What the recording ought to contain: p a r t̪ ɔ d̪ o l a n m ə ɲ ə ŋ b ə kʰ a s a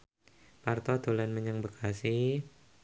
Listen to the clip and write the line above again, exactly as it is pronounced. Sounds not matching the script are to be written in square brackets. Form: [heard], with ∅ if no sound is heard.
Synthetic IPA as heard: p a r t̪ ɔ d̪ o l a n m ə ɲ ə ŋ b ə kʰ a s [i]